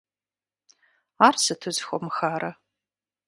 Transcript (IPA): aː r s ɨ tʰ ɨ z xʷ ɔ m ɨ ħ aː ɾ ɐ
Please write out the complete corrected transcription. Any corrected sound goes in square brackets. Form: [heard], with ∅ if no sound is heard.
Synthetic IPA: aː r s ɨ tʰ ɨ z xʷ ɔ m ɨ [x] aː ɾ ɐ